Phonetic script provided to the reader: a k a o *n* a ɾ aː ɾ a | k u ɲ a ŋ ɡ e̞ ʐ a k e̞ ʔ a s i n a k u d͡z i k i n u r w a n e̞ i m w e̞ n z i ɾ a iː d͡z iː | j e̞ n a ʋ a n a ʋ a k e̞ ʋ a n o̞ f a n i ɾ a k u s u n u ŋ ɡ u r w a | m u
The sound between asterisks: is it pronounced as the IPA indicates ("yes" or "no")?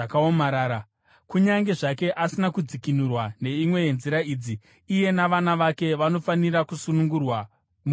no